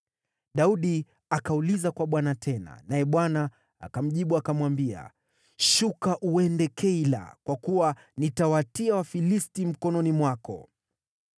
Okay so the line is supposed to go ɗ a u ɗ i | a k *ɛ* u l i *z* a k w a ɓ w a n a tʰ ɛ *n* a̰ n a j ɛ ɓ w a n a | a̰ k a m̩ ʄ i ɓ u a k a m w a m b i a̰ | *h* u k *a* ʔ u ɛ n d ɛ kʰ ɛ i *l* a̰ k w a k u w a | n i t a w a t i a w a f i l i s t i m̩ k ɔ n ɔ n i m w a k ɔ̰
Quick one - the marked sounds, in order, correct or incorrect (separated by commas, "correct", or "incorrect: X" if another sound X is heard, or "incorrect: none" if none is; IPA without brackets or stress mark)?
incorrect: a, correct, correct, incorrect: ʃ, correct, correct